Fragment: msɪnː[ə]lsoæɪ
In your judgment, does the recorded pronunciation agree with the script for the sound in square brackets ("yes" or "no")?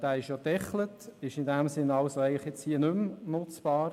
no